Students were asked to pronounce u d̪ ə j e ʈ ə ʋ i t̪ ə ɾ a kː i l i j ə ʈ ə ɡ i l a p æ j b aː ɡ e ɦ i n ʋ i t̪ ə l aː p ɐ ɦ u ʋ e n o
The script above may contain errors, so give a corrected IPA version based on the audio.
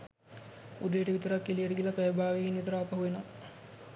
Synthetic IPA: u d̪ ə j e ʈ ə ʋ i t̪ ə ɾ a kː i l i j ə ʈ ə ɡ i l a p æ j b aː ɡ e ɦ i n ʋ i t̪ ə ɾ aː p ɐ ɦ u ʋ e n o